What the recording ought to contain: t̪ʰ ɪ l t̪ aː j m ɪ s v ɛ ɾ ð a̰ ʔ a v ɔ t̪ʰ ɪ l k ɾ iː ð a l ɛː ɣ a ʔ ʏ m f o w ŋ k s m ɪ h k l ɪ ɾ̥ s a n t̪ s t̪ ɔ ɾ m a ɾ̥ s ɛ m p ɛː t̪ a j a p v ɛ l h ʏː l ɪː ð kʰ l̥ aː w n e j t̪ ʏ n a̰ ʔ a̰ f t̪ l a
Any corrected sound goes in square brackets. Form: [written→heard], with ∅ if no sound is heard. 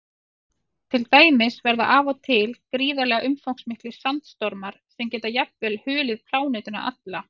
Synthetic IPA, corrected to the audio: t̪ʰ ɪ l t̪ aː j m ɪ s v ɛ ɾ ð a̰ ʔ a v ɔ t̪ʰ ɪ l k ɾ iː ð a l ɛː ɣ a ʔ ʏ m f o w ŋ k s m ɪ h k l ɪ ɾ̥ s a n t̪ s t̪ ɔ ɾ m a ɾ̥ s ɛ m [p→c] ɛː t̪ a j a p v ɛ l h ʏː l [ɪː→ɪ] ð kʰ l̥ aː w n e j t̪ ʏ n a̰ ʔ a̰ [f→∅] t̪ l a

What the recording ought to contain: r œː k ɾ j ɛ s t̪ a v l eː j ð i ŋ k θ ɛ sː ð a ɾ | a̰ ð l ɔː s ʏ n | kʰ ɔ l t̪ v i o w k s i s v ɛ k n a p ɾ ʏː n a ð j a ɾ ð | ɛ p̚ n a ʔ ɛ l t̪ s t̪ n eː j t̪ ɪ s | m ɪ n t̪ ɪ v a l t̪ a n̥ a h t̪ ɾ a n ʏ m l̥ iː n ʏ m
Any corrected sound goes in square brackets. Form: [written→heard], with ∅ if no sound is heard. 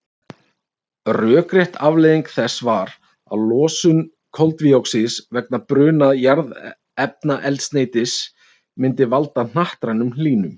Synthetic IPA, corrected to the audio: r œː k ɾ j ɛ [s→h] t̪ a v l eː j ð i ŋ k θ ɛ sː [ð→v] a ɾ | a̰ ð l ɔː s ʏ n | kʰ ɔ l t̪ v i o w k s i s v ɛ k n a p ɾ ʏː n a ð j a ɾ ð | ɛ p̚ n a ʔ ɛ l t̪ s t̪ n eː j t̪ ɪ s | m ɪ n t̪ ɪ v a l t̪ a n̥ a h t̪ ɾ a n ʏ m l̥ iː n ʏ m

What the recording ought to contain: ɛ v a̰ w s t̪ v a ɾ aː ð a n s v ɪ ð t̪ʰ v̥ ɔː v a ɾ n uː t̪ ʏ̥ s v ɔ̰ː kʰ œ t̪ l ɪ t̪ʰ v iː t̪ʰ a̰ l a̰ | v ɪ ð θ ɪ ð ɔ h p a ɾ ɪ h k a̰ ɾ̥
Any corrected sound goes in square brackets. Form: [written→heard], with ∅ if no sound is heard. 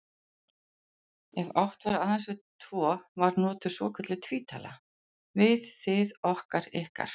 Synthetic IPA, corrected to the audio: ɛ v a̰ w [s→h] t̪ v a ɾ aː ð a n s v ɪ ð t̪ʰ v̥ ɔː v a ɾ n [uː→ɔː] t̪ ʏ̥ s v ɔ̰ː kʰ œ t̪ l ɪ t̪ʰ v iː t̪ʰ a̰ l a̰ | v ɪ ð θ ɪ ð ɔ h [p→k] a ɾ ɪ h k a̰ ɾ̥

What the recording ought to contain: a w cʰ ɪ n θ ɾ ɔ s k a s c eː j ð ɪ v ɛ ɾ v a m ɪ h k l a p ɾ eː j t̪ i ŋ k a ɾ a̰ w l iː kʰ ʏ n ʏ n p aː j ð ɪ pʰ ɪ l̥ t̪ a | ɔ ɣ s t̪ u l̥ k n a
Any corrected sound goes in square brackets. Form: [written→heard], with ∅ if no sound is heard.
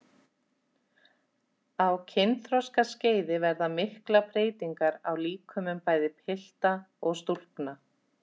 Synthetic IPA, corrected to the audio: a w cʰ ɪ n θ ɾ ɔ s k a s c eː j ð ɪ v ɛ ɾ [v→ð] a m ɪ h k l a p ɾ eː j t̪ i ŋ k a ɾ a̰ w l iː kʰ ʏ [n→m] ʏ [n→m] p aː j ð ɪ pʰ ɪ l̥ t̪ a | ɔ ɣ s t̪ u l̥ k n a

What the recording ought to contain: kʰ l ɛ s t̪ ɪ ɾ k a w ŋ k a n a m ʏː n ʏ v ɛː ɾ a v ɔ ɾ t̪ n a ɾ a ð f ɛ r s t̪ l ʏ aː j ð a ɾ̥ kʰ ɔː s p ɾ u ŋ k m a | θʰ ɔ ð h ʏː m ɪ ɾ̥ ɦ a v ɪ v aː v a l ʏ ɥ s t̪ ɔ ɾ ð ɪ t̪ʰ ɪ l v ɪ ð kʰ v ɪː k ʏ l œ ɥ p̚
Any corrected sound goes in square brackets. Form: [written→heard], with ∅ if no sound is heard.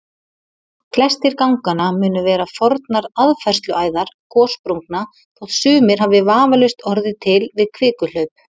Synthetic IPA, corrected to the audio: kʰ l ɛ s t̪ ɪ ɾ k a w ŋ k a n a m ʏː n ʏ v ɛː ɾ a [v→f] ɔ ɾ t̪ n a ɾ a ð f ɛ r s t̪ l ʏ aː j ð a ɾ̥ kʰ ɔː s p ɾ u ŋ k [m→n] a | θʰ ɔ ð [h→s] ʏː m ɪ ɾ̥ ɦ a v ɪ v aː v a l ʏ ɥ s t̪ ɔ ɾ ð ɪ t̪ʰ ɪ l v ɪ ð kʰ v ɪː k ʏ l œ ɥ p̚

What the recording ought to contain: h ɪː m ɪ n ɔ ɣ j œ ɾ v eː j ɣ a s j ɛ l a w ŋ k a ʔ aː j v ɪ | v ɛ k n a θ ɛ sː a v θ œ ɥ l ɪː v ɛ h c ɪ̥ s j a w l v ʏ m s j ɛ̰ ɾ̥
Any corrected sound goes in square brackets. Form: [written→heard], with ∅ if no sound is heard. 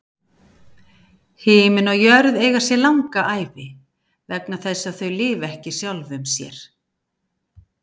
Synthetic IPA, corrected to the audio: h ɪː m ɪ n ɔ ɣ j œ ɾ [v→ð] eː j ɣ a s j ɛ l a w ŋ k a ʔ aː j v ɪ | v ɛ k n a θ ɛ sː a [v→ð] θ œ ɥ l ɪː v ɛ h c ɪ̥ s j a w l v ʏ m s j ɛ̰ ɾ̥

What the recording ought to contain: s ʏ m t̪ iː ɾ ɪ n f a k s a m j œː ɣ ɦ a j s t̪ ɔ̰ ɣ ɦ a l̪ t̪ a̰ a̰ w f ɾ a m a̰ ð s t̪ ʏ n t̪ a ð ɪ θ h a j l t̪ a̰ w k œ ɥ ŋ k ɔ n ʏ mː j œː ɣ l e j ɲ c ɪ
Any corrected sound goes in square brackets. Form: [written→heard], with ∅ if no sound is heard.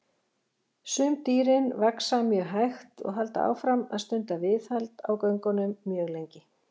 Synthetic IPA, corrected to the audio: s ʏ m t̪ iː ɾ ɪ n [f→v] a k s a m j œː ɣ ɦ a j [s→x] t̪ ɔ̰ ɣ ɦ a l̪ t̪ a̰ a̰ w f ɾ a m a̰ ð s t̪ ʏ n t̪ a [ð→v] ɪ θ h a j l t̪ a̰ w k œ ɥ ŋ k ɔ n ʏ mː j œː ɣ l e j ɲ c ɪ

